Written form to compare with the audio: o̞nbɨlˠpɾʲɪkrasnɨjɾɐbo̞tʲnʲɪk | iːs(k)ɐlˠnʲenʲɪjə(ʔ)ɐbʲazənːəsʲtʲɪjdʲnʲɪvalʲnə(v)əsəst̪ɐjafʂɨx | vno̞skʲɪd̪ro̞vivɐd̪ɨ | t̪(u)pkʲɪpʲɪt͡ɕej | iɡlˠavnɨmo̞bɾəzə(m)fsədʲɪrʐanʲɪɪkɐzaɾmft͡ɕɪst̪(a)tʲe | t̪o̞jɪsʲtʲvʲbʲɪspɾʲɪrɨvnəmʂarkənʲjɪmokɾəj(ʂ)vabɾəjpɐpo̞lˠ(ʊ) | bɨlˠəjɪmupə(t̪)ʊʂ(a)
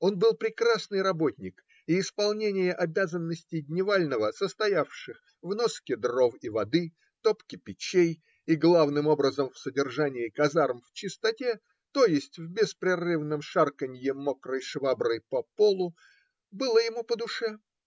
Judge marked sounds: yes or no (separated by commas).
no, yes, yes, no, yes, no, yes, yes, no, no